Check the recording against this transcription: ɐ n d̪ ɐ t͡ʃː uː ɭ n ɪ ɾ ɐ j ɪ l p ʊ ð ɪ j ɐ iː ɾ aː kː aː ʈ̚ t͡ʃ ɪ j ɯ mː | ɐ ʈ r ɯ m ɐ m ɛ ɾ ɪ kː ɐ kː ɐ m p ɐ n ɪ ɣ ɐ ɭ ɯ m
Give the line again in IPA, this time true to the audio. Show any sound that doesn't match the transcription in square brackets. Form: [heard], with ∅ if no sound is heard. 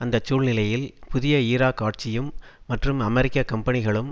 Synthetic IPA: ɐ n d̪ ɐ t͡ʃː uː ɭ n ɪ [l] ɐ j ɪ l p ʊ ð ɪ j ɐ iː ɾ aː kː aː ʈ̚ t͡ʃ ɪ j ɯ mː | ɐ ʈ r ɯ m ɐ m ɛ ɾ ɪ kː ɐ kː ɐ m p ɐ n ɪ ɣ ɐ ɭ ɯ m